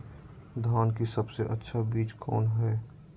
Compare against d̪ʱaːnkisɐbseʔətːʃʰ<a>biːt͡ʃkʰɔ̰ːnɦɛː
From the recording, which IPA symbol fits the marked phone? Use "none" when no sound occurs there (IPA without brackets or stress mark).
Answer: a